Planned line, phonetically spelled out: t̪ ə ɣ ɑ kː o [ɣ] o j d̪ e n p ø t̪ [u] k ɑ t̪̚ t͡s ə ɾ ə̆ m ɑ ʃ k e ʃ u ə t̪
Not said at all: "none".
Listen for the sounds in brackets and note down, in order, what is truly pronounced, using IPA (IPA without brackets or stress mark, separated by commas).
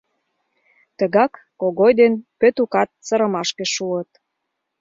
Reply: ɣ, u